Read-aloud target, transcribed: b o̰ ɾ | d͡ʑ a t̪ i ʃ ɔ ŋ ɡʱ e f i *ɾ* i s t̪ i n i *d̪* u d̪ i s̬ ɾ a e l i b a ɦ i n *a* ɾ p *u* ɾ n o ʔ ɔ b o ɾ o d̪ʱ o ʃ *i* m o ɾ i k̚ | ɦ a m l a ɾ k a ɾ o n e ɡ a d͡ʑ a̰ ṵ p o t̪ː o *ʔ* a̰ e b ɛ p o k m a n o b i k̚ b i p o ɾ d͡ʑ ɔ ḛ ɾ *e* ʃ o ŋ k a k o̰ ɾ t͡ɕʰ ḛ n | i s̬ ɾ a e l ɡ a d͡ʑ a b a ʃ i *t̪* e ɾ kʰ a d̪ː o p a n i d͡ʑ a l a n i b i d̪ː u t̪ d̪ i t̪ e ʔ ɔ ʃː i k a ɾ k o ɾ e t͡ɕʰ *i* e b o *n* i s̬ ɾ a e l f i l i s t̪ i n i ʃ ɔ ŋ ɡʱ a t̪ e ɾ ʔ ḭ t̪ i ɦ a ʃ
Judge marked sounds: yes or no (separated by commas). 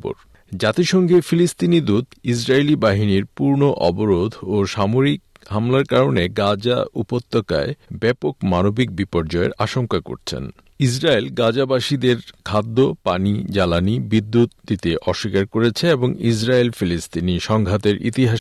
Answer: no, yes, no, yes, no, no, no, no, no, no